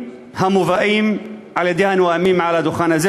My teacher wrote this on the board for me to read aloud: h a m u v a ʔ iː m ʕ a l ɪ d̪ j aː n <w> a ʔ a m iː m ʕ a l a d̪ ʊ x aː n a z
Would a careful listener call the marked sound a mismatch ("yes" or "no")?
no